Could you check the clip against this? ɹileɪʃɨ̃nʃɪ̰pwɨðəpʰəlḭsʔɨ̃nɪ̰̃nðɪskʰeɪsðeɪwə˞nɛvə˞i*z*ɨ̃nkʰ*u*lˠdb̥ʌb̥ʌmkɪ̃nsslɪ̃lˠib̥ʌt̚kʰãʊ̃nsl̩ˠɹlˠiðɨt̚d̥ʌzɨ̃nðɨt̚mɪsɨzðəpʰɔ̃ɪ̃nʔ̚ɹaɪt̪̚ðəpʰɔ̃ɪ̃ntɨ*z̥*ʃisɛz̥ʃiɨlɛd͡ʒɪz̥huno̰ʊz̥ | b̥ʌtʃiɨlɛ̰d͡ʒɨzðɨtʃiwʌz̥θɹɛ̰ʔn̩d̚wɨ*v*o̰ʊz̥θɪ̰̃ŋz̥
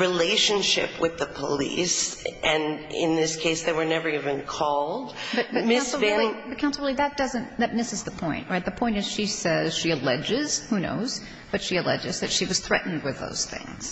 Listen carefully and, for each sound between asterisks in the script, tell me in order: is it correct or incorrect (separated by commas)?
incorrect, incorrect, correct, incorrect